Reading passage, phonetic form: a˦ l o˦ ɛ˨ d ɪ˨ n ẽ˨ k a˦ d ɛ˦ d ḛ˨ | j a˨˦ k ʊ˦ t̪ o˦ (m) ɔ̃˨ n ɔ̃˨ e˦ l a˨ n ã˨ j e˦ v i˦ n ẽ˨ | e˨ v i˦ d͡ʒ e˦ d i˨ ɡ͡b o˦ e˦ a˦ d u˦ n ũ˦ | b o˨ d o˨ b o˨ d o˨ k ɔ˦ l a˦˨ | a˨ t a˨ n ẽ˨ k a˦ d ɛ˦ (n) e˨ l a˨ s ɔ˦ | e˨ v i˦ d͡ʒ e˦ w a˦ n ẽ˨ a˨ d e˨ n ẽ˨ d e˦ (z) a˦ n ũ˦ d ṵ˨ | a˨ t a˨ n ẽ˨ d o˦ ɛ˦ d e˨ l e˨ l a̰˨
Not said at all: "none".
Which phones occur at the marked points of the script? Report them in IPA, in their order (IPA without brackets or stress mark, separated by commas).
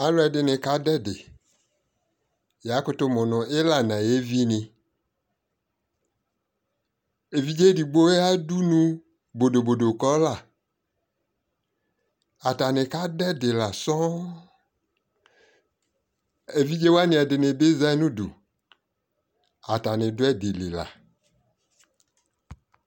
m, d, z